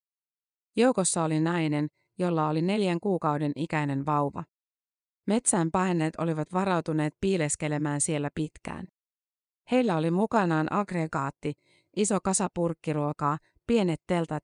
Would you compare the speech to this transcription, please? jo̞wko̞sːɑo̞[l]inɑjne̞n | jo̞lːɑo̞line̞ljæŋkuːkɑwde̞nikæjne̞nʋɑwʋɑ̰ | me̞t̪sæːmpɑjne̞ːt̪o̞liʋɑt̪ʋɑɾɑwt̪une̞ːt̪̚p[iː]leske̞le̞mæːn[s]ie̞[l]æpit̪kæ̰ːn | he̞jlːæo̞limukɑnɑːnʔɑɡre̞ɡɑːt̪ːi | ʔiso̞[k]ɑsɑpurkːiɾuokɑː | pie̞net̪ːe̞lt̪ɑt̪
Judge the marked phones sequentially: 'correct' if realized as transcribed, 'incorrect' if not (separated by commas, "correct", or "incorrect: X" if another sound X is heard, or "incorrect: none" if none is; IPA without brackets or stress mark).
correct, correct, correct, incorrect: lː, correct